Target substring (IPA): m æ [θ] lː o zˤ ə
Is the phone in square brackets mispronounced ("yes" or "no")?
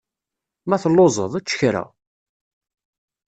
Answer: no